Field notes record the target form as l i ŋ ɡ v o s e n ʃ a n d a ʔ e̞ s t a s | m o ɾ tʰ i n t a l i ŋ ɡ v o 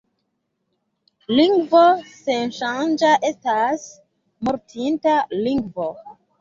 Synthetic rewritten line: l i ŋ ɡ v o s e n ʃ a n d͡ʒ a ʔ e̞ s t a s | m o ɾ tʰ i n t a l i ŋ ɡ v o

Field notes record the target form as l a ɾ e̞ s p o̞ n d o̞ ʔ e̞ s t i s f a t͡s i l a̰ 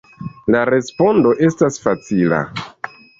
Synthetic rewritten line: l a ɾ e̞ s p o̞ n d o̞ ʔ e̞ s t a s f a t͡s i l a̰

